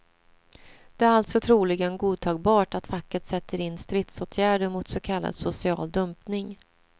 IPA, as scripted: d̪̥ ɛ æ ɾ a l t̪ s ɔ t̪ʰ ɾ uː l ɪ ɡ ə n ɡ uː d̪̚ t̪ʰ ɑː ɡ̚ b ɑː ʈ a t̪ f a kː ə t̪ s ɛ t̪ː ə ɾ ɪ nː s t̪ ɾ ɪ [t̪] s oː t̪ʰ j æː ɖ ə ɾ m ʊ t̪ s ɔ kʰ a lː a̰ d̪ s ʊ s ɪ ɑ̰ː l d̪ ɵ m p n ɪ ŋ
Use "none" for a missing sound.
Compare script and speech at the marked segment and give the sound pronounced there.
t̪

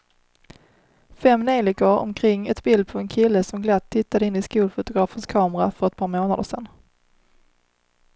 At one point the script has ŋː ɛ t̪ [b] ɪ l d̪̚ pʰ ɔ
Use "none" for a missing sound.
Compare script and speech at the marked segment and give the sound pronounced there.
b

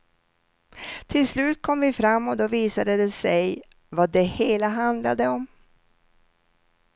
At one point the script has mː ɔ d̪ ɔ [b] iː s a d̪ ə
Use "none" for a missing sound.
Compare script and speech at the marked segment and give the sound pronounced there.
v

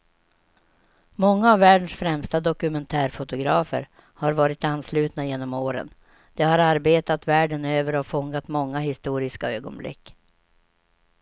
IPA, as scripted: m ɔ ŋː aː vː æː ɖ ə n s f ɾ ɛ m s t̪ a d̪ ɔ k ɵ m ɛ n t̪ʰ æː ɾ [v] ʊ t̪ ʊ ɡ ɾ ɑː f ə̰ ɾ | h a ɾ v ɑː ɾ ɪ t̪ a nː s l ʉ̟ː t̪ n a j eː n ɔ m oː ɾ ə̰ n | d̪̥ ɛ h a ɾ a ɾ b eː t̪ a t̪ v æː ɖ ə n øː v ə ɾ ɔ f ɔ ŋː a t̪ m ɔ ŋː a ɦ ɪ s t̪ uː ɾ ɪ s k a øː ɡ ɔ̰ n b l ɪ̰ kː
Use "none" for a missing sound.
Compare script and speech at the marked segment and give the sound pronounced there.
f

